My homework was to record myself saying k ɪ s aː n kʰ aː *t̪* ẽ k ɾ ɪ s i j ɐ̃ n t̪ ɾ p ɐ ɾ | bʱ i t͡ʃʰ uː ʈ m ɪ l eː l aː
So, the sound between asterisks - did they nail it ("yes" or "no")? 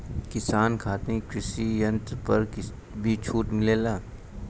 yes